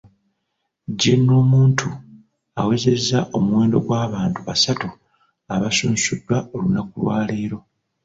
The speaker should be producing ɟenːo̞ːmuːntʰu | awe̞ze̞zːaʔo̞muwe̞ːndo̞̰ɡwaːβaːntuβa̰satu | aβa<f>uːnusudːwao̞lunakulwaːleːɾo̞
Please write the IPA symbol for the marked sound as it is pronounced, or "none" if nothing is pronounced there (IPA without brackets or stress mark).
s